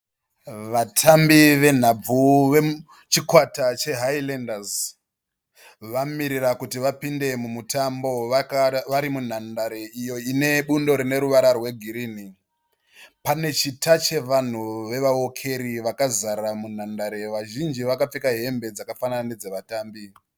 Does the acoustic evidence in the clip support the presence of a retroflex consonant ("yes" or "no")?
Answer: no